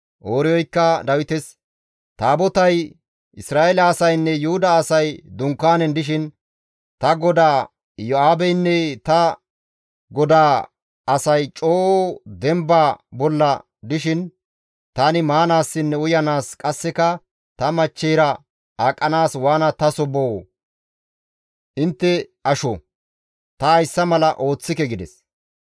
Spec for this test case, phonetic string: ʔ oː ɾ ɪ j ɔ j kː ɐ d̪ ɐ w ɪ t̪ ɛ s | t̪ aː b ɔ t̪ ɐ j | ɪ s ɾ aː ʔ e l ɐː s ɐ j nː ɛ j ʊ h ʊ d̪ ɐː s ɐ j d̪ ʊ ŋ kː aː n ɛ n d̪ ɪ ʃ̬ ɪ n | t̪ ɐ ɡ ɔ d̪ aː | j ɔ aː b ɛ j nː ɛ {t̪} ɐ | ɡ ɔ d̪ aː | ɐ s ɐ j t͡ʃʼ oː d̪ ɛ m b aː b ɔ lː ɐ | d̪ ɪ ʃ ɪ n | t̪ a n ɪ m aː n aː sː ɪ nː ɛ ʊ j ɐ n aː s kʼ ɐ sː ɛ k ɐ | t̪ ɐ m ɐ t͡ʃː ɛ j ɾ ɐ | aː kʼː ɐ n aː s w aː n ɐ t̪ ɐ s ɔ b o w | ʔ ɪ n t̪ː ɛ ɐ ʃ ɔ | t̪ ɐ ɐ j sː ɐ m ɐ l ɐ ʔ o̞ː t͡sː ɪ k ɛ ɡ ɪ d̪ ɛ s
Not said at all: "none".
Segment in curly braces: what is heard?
t̪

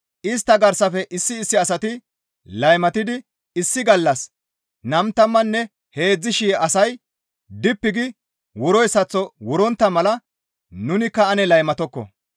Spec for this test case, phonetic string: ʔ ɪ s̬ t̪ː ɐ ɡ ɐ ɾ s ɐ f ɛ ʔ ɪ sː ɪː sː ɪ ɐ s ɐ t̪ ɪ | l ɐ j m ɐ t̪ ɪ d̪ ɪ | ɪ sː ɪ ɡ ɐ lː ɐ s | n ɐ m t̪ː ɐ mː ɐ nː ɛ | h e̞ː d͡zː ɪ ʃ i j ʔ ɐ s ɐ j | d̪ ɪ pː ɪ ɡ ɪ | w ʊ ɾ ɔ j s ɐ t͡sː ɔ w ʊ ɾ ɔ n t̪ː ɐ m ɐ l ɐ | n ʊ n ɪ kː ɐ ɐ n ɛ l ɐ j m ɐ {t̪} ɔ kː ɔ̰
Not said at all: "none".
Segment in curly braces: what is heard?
t̪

